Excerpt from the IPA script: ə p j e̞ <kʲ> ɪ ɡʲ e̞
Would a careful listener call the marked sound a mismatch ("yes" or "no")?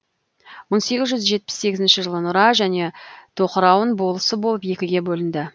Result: no